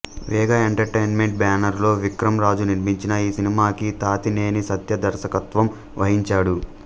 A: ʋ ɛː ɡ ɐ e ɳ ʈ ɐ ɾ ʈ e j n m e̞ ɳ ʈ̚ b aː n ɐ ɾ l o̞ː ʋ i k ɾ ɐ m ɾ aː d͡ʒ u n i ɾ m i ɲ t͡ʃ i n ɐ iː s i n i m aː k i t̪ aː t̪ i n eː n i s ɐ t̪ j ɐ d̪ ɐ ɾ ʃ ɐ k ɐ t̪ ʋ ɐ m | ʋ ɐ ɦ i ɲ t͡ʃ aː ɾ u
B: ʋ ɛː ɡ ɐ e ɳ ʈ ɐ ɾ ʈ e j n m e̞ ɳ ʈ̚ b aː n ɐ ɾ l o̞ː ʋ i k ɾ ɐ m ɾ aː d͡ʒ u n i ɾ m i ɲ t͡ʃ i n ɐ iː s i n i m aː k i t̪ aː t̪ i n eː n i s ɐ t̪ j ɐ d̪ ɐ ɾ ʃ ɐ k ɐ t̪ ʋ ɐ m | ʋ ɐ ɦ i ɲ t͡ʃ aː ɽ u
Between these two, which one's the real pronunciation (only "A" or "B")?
B